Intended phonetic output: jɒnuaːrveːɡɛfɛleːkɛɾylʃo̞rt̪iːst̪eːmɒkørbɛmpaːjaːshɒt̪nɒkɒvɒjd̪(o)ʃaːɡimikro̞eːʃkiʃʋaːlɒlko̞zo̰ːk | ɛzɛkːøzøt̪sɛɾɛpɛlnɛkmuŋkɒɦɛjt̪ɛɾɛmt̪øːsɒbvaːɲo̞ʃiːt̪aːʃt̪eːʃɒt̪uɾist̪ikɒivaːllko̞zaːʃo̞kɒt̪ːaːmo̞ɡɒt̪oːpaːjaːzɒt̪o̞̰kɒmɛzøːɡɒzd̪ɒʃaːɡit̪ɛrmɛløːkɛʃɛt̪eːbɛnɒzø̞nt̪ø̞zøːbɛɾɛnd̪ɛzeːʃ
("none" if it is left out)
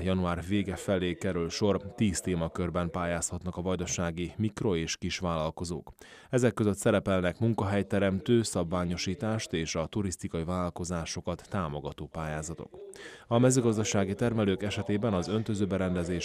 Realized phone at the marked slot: o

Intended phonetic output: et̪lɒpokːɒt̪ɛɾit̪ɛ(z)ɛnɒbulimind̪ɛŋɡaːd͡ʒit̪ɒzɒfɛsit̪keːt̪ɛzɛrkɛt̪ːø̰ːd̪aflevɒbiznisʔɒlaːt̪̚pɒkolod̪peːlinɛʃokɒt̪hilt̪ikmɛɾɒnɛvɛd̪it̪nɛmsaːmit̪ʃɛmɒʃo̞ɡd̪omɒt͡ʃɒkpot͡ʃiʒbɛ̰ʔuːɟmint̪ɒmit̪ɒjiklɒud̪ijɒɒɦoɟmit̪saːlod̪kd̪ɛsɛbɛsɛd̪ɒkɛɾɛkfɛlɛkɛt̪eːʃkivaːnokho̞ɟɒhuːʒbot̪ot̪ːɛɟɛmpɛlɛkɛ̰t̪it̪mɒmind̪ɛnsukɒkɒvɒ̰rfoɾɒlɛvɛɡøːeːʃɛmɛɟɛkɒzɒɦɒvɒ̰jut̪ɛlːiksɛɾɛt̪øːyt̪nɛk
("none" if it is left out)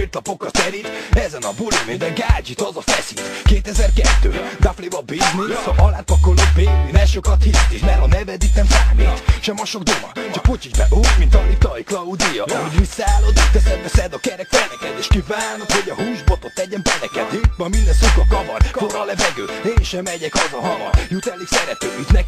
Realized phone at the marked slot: z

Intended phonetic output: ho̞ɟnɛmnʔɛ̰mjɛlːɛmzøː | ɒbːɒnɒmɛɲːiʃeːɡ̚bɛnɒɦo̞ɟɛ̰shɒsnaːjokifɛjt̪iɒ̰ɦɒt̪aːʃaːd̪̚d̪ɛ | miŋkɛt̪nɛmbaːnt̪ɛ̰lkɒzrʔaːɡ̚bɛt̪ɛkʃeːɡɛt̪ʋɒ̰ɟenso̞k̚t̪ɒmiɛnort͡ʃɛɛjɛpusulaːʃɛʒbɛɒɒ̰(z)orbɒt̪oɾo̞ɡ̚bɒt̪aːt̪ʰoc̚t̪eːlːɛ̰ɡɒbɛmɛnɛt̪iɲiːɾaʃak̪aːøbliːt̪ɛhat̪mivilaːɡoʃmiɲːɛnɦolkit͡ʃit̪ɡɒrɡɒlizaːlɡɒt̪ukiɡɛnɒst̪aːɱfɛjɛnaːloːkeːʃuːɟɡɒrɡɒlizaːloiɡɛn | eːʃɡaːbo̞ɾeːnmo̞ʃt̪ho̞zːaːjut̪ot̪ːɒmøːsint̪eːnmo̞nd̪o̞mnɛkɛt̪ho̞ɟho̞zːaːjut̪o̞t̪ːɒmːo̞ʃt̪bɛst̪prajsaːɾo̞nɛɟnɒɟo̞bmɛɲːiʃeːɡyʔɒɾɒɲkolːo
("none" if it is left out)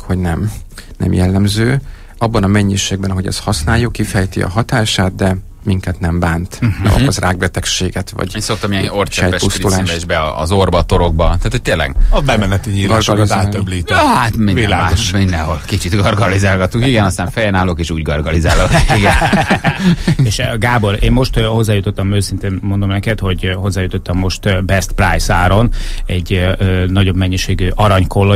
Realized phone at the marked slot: z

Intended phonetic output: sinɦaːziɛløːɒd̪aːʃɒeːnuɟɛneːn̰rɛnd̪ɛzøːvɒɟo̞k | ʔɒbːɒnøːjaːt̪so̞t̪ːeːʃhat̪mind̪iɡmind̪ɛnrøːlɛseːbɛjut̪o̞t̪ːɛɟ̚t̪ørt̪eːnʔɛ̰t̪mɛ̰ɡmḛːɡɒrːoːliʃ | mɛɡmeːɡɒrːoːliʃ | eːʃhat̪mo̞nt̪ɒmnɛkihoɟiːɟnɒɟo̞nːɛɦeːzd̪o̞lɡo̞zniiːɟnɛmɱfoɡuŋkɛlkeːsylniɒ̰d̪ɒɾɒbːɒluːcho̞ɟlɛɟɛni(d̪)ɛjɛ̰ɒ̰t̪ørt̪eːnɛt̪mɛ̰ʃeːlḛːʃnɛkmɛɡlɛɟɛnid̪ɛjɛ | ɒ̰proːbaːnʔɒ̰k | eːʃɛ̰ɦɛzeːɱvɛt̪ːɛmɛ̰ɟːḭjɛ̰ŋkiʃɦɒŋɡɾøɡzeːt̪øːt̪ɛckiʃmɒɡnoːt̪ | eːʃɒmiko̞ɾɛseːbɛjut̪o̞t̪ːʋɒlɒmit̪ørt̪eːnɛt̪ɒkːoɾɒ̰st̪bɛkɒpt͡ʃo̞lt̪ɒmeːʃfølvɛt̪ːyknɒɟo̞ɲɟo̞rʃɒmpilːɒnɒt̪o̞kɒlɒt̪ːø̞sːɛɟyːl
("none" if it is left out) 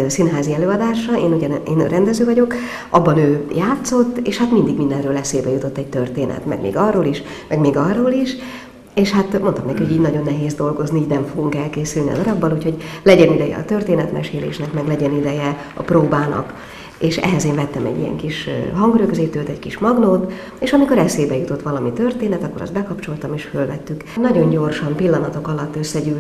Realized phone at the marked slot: d̪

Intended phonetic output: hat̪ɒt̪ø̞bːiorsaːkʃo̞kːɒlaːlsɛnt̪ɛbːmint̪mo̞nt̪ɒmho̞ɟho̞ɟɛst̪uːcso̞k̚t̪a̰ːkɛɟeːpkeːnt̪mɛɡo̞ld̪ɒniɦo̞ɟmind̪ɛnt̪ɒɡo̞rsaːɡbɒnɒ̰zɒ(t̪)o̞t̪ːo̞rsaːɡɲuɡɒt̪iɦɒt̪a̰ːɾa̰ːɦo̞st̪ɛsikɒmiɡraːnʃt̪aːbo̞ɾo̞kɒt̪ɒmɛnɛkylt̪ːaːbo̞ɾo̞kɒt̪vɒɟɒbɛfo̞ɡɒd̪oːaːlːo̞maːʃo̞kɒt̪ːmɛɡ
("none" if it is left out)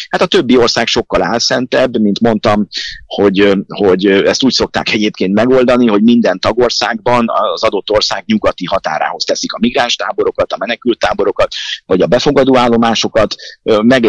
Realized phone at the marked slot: d̪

